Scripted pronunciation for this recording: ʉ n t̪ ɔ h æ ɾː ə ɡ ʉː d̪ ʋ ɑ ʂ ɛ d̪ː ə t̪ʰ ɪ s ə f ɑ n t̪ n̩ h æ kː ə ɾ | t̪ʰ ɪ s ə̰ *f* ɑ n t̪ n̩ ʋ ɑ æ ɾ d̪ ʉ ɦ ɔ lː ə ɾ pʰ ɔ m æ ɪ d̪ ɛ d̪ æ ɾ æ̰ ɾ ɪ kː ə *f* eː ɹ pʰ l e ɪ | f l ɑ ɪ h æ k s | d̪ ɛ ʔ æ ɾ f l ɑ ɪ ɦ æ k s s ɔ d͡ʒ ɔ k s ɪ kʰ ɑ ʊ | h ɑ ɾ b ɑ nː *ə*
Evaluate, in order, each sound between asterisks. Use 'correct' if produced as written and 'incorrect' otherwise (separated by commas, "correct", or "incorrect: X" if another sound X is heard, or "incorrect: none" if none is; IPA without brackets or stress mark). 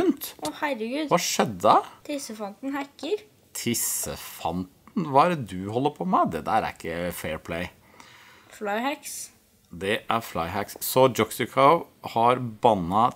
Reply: correct, correct, incorrect: ɑ